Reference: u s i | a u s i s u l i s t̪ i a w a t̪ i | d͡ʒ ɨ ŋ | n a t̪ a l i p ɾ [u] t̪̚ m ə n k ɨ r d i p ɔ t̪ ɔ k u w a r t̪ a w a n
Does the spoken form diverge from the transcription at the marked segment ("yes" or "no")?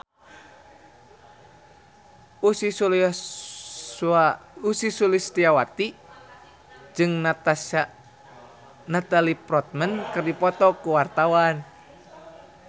yes